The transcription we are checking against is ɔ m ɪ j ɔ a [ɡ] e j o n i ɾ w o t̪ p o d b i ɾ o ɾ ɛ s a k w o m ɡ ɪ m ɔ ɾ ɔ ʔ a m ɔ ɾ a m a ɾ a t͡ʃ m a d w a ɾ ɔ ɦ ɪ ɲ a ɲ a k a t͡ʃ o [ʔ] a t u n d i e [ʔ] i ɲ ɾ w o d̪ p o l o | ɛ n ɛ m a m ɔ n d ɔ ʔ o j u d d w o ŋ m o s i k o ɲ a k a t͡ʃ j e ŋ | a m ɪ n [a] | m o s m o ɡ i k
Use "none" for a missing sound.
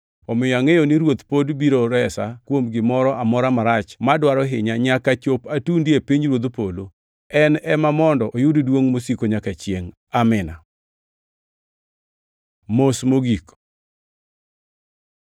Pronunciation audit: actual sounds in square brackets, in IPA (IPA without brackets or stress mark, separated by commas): ŋ, p, p, a